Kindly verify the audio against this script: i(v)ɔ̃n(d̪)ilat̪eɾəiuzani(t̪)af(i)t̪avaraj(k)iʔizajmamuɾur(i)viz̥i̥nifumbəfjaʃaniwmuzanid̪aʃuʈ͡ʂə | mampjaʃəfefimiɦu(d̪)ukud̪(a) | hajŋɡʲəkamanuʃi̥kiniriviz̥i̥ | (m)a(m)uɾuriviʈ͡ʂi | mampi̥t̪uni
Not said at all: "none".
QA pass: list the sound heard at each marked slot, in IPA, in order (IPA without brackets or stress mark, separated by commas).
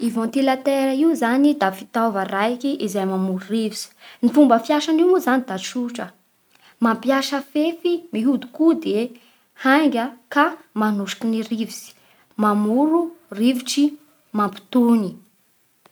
v, t̪, d̪, i, k, i, d̪, e, m, m